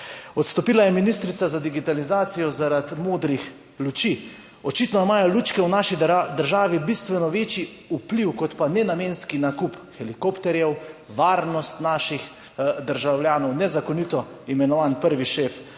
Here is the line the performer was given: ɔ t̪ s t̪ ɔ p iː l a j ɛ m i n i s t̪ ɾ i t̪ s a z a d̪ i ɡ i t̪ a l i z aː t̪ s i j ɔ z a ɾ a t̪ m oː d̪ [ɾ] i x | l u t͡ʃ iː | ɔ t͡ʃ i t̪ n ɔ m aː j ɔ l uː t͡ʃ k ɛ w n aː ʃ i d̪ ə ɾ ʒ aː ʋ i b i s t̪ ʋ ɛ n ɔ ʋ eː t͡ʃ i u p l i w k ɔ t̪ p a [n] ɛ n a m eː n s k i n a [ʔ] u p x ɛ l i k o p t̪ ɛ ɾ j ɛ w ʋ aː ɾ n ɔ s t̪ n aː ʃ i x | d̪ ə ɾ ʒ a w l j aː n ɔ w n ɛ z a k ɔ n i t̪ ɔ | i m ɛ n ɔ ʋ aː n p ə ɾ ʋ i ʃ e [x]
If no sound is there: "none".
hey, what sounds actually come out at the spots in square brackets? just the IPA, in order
ɾ, n, k, f

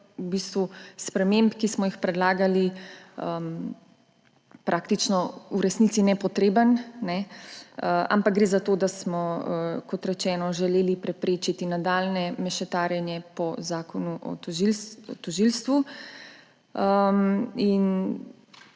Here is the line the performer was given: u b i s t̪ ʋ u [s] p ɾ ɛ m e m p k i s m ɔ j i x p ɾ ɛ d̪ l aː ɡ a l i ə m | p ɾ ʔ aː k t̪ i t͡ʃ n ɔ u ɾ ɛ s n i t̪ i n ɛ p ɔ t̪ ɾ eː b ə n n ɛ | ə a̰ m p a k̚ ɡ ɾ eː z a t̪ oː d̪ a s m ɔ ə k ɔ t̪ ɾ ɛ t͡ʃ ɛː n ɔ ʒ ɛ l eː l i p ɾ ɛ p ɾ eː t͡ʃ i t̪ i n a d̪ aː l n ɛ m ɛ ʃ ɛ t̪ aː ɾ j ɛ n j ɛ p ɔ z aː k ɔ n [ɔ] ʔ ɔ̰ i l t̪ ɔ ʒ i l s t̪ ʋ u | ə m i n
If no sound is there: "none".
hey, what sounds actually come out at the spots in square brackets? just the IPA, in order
s, u

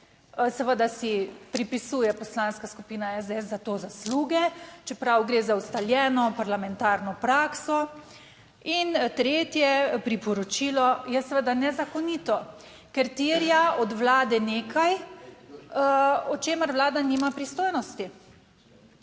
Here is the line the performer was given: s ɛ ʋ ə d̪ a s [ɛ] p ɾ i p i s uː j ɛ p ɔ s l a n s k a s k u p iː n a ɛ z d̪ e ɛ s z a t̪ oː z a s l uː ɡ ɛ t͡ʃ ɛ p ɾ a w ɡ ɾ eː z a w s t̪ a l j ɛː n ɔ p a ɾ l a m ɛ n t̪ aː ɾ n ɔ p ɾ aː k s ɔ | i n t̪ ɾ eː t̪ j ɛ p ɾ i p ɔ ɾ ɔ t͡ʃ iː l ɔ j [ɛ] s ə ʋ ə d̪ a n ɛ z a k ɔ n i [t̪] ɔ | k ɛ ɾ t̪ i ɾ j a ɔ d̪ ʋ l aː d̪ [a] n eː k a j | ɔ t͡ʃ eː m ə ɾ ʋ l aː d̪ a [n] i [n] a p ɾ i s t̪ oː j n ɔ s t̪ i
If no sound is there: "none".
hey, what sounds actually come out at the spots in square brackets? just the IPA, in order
i, ɛ, t̪, ɛ, n, m

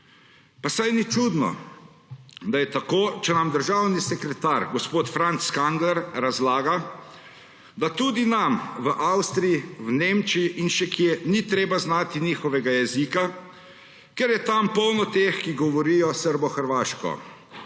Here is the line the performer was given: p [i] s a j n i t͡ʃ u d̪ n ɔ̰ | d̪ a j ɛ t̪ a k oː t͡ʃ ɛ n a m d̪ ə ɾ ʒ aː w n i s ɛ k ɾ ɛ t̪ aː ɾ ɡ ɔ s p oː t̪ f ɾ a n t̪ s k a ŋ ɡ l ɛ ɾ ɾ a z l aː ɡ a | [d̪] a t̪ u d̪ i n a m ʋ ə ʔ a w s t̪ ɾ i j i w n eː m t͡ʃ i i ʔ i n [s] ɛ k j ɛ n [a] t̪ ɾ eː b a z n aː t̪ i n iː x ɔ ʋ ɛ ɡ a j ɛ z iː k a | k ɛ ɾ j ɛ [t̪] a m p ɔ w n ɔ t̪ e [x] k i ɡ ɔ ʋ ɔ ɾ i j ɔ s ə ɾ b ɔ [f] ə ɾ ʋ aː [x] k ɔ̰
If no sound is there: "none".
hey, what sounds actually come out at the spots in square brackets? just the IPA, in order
a, d̪, ʃ, i, t̪, x, x, ʃ

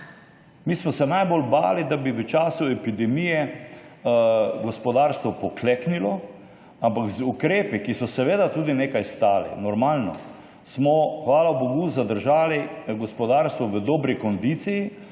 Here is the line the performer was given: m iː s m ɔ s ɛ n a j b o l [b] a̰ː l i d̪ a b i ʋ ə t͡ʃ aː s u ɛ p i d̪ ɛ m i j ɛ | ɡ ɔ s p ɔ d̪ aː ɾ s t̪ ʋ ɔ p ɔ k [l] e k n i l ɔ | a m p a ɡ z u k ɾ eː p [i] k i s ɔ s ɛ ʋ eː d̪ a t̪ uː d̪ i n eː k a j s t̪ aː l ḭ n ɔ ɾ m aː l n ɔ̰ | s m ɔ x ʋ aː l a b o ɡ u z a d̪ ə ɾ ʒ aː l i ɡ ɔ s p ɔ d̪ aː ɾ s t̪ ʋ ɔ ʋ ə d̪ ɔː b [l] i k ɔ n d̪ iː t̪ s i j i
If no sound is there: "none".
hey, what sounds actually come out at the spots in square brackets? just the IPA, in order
b, l, i, ɾ

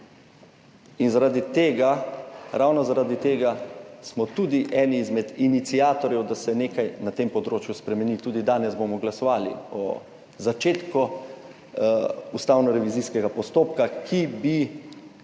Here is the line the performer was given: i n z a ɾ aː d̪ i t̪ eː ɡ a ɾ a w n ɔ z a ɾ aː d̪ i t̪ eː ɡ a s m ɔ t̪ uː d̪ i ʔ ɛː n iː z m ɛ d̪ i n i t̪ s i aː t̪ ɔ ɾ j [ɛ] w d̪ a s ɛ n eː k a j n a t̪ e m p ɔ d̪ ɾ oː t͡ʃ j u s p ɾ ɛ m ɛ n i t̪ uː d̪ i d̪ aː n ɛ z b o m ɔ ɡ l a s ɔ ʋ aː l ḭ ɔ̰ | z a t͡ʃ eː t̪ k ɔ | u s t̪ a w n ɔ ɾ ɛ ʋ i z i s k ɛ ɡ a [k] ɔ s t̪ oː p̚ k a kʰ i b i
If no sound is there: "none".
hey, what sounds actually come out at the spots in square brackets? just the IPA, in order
ɛ, p

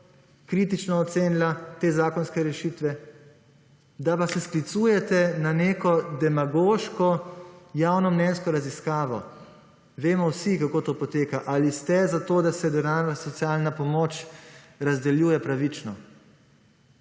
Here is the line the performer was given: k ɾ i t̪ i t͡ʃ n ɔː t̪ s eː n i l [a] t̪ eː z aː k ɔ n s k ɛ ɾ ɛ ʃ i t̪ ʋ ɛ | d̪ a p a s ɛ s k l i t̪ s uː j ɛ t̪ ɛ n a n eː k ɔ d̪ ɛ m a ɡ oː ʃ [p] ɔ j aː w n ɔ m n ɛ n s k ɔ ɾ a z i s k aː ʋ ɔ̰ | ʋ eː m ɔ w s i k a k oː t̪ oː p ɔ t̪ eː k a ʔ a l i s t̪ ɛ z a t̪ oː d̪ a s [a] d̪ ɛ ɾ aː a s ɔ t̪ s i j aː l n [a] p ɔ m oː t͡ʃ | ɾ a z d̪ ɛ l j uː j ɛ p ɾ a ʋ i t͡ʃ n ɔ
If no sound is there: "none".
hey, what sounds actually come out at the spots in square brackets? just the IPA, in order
a, k, ɛ, a

